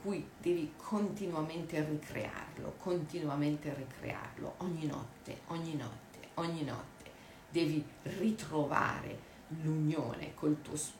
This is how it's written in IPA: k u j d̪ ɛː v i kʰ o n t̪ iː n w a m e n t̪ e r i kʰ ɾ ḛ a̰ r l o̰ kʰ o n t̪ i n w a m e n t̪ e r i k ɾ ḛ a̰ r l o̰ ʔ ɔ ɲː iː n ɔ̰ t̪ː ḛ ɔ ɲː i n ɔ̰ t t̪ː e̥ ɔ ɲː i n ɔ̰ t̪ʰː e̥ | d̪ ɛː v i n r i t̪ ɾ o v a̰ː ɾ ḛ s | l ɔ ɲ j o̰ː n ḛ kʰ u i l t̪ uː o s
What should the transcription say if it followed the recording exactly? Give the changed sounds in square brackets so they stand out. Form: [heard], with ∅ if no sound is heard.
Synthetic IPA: k u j d̪ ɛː v i kʰ o n t̪ [i] n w a m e n t̪ e r i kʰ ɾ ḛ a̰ r l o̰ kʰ o n t̪ i n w a m e n t̪ e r i k ɾ ḛ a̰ r l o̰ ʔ ɔ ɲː [i] n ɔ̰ t̪ː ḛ ɔ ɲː i n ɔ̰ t t̪ː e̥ ɔ ɲː i n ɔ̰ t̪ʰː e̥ | d̪ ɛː v i [∅] r i t̪ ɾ o v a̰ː ɾ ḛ [∅] | l [u] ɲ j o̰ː n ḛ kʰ [o] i l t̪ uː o s